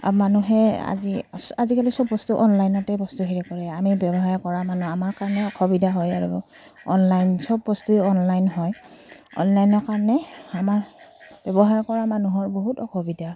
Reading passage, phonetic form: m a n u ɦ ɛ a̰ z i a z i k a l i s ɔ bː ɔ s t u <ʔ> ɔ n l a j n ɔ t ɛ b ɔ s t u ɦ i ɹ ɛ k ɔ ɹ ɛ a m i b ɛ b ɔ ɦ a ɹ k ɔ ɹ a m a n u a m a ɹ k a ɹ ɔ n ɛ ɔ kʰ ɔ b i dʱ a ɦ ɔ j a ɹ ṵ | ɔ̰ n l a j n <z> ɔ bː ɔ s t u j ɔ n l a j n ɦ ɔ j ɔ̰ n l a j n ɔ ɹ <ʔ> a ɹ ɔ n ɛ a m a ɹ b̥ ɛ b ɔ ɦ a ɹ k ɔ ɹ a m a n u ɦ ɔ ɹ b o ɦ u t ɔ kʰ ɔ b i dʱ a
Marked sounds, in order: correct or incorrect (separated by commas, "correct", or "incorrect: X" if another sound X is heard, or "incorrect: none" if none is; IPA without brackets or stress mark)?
correct, incorrect: s, incorrect: k